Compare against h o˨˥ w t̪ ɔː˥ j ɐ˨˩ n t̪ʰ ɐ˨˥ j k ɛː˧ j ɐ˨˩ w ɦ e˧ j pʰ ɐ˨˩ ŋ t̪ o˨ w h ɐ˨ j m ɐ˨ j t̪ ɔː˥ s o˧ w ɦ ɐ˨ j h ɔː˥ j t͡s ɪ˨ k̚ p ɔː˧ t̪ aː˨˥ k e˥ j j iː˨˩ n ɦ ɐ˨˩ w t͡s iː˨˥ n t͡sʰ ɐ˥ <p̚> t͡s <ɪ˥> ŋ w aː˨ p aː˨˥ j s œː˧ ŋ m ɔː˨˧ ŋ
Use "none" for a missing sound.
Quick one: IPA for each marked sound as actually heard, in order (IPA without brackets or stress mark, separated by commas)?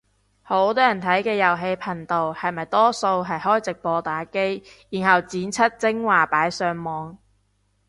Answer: t̚, ɪ˥